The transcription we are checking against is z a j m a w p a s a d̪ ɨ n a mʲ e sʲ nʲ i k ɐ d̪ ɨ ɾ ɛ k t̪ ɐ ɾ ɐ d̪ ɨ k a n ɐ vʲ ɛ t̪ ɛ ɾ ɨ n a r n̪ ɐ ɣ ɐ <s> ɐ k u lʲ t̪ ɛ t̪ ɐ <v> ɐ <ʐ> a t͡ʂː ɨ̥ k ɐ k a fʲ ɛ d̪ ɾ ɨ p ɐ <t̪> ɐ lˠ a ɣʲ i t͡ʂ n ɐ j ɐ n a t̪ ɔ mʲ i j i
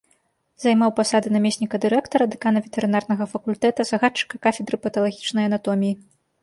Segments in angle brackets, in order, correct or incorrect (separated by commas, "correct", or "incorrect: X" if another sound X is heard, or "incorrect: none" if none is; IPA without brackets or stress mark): incorrect: f, incorrect: z, incorrect: ɣ, correct